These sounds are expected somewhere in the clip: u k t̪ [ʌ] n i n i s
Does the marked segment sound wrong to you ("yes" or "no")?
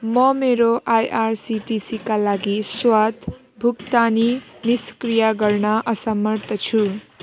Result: yes